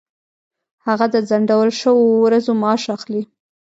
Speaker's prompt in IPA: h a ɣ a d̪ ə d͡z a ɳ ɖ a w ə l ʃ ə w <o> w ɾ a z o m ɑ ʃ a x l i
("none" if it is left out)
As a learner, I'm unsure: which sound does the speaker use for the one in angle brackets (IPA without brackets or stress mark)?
o